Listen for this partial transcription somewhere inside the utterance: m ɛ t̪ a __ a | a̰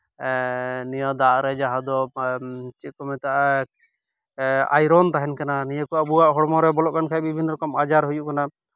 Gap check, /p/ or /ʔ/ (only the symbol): ʔ